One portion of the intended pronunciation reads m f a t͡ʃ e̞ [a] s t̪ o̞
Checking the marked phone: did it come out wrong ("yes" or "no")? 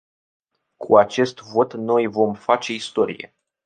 yes